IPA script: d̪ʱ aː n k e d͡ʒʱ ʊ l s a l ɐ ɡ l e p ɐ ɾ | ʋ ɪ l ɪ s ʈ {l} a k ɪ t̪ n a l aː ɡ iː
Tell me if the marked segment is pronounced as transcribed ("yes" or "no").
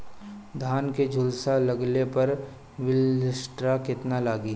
no